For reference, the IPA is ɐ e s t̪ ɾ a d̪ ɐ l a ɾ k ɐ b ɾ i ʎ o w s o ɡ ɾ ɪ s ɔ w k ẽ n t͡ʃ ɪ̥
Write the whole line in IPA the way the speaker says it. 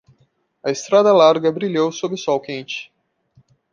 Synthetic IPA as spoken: ɐ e s t̪ ɾ a d̪ ɐ l a ɾ ɡ ɐ b ɾ i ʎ o w s o b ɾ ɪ s ɔ w k ẽ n t͡ʃ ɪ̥